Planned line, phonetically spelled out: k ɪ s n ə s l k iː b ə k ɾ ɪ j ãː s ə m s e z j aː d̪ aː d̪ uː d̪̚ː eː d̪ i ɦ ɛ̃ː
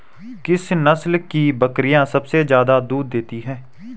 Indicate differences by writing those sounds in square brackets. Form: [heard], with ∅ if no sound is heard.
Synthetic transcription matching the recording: k ɪ s n ə s l k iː b ə k ɾ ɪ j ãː s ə [b] s e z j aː d̪ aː d̪ uː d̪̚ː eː [t̪] i ɦ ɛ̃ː